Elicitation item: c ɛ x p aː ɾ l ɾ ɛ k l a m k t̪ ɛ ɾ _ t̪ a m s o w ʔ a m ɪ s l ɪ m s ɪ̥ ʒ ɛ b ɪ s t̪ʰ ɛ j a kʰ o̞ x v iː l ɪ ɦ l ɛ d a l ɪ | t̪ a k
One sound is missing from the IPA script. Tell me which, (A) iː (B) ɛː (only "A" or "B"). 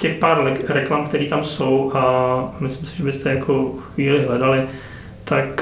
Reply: A